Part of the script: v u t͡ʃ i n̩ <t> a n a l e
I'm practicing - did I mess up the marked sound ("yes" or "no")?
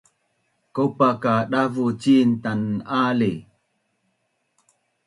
no